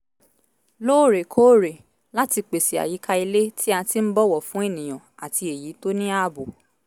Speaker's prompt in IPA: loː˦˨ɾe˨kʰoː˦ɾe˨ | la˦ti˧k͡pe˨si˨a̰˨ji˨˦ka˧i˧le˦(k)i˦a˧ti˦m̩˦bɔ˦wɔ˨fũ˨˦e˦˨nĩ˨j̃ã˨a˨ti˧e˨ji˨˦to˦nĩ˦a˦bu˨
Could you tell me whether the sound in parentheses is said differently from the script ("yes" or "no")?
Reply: yes